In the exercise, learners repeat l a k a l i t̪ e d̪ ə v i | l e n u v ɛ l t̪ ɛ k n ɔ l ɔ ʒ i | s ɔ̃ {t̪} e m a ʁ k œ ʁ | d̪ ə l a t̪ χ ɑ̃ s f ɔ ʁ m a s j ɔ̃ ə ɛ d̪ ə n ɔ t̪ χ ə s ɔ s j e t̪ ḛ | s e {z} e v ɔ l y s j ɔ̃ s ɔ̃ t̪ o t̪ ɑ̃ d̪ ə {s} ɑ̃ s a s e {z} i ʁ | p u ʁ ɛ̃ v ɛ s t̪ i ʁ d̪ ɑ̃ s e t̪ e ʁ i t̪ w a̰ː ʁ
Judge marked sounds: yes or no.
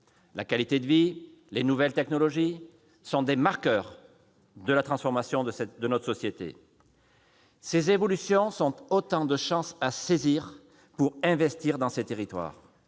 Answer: no, yes, no, yes

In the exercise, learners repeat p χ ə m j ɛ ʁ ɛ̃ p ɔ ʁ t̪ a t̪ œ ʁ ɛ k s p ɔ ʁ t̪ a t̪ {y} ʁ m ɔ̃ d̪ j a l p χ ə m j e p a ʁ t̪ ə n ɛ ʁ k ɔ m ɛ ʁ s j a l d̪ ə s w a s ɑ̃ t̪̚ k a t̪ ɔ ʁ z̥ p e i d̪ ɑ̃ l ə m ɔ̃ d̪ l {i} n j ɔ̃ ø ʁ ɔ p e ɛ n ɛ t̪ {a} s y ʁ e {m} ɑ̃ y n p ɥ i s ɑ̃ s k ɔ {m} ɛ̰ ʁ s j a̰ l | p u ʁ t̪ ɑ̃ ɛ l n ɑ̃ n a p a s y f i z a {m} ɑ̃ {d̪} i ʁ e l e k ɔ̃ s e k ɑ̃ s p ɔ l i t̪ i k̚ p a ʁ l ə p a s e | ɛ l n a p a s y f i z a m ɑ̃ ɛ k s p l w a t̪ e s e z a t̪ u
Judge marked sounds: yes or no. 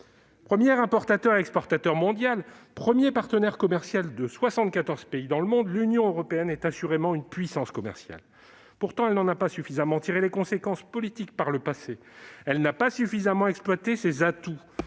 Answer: no, no, yes, yes, yes, yes, no

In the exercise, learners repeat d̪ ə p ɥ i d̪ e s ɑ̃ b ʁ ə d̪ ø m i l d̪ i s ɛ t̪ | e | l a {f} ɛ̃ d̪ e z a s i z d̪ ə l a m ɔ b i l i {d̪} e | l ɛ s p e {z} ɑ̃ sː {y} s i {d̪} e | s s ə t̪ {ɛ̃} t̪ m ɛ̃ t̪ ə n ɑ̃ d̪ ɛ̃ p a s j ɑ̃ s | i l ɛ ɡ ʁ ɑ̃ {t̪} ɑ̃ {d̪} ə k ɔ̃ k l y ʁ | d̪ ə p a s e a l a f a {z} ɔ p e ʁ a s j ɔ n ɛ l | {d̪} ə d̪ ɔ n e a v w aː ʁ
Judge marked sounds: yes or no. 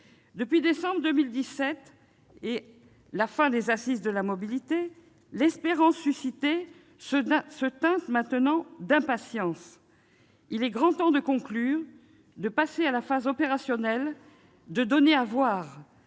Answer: yes, no, no, yes, no, yes, yes, yes, yes, yes

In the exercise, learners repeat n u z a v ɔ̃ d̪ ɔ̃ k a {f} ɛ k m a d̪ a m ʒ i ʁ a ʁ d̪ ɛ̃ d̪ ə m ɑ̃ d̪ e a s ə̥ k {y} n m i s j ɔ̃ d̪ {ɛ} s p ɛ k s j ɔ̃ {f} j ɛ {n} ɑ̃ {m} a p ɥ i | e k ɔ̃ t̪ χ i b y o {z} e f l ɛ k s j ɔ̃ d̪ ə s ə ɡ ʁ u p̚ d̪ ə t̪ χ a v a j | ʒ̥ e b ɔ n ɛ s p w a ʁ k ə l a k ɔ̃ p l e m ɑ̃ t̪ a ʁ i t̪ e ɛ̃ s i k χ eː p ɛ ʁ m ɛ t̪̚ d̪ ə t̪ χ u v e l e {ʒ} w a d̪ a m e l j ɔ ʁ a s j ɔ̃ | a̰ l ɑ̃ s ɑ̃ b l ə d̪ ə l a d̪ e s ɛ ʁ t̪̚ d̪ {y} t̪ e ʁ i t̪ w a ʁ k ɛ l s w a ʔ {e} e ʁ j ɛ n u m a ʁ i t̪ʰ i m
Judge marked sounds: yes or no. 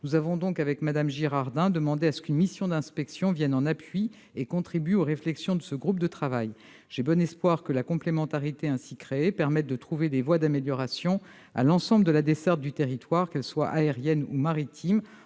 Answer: no, yes, no, no, yes, no, no, no, yes, no

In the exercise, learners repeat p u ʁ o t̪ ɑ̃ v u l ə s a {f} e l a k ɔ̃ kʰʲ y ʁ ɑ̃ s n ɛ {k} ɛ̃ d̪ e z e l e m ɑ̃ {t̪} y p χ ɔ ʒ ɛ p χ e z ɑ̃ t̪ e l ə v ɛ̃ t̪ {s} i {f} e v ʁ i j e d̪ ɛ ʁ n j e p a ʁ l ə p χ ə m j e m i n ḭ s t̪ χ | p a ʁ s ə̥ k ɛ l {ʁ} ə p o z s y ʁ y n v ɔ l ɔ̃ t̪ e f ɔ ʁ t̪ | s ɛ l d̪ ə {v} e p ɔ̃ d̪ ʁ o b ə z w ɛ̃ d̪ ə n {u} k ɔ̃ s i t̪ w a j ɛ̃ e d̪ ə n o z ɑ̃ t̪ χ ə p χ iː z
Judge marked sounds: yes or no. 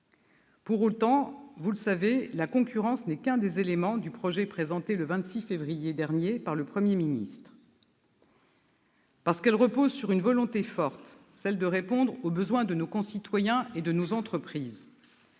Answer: no, yes, no, yes, yes, yes, no, no

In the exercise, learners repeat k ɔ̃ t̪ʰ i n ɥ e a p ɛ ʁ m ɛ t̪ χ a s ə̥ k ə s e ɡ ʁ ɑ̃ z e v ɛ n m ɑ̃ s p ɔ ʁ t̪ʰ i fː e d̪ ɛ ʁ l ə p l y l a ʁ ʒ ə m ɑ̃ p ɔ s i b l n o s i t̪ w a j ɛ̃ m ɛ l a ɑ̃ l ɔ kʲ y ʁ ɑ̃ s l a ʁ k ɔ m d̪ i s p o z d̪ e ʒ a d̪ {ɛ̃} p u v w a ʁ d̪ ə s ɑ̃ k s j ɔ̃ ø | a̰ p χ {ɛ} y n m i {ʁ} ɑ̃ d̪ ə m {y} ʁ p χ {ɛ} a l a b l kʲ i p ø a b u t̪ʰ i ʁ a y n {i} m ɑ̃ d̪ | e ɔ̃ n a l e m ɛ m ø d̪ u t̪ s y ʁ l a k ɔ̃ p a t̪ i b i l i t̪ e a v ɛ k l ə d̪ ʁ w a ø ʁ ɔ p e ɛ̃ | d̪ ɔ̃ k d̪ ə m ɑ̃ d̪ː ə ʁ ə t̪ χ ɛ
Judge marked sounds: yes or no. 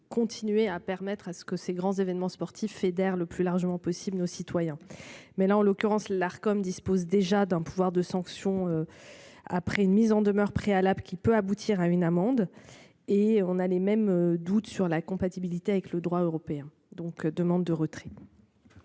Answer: yes, yes, no, no, no, no

